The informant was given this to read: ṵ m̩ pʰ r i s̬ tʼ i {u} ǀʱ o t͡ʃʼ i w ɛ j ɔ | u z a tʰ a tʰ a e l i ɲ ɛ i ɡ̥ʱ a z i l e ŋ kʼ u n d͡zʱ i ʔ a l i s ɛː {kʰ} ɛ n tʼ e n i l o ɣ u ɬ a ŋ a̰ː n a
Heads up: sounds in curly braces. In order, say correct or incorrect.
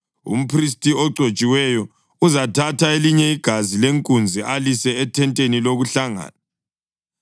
incorrect: ɔ, incorrect: tʰ

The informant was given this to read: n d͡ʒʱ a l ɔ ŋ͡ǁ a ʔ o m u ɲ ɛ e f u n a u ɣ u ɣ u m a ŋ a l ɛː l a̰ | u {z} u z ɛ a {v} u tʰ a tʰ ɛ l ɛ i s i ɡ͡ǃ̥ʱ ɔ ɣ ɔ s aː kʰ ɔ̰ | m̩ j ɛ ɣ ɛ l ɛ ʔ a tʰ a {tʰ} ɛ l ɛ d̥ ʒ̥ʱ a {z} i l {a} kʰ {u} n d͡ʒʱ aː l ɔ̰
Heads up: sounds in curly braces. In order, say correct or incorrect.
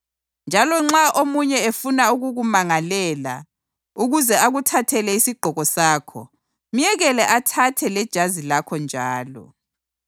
incorrect: ɣ, incorrect: ɣ, correct, correct, correct, incorrect: ɔ

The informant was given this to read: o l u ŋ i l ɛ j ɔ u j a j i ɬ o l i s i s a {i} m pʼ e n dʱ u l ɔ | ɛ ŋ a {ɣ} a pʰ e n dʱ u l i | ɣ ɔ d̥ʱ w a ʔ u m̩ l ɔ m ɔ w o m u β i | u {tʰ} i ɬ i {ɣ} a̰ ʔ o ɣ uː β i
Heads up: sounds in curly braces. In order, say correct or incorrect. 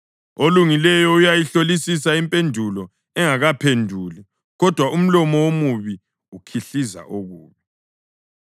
correct, correct, incorrect: kʰ, incorrect: z

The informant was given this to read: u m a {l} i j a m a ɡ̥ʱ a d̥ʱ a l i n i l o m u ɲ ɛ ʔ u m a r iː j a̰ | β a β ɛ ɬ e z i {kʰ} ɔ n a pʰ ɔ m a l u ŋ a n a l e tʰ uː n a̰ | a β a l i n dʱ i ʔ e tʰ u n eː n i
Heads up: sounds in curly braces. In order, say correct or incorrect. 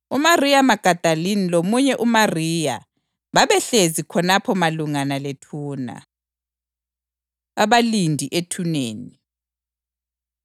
incorrect: r, correct

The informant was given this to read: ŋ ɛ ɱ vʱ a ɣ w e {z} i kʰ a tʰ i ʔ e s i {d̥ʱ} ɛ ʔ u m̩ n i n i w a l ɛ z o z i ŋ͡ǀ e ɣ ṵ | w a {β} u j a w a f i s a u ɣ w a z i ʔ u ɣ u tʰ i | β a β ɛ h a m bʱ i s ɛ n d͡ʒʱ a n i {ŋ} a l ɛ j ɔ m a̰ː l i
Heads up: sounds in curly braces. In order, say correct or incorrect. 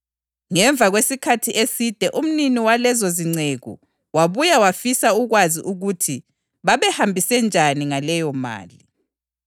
incorrect: s, correct, correct, correct

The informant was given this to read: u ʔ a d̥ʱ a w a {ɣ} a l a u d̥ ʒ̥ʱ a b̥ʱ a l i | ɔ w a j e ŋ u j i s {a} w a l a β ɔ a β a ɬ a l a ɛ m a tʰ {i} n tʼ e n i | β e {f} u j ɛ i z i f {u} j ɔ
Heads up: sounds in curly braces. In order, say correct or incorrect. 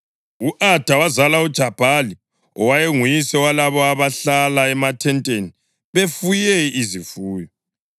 incorrect: z, incorrect: ɛ, incorrect: ɛ, correct, incorrect: uː

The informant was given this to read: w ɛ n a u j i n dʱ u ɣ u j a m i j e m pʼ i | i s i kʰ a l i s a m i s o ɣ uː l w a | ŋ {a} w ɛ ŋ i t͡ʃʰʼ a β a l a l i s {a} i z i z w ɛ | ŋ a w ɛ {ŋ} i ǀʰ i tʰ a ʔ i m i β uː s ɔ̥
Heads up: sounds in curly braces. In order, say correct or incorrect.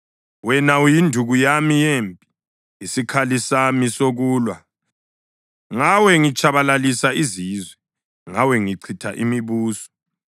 correct, correct, correct

